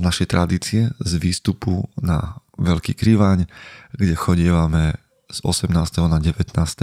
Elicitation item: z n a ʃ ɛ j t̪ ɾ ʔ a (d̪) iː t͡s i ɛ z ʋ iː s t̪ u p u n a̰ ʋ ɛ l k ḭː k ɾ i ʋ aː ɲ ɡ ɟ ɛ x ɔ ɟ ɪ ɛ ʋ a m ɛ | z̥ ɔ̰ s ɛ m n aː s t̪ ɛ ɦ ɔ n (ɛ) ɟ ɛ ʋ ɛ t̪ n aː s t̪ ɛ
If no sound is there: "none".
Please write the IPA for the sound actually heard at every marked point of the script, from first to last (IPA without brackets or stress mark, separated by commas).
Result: d̪, a